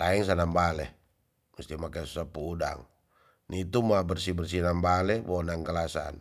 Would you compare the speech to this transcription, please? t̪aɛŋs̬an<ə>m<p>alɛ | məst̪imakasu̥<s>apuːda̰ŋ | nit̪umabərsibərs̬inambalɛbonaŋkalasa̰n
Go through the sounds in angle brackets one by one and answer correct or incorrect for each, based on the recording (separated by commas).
incorrect, incorrect, correct